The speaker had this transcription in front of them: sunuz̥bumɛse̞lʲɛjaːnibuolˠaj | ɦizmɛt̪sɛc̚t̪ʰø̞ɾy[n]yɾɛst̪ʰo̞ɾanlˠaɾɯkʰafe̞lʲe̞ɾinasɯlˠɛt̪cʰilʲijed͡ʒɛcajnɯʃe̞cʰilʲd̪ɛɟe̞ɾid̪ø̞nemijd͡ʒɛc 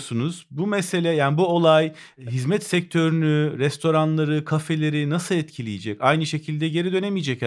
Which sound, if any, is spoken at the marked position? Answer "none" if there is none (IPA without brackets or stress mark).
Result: n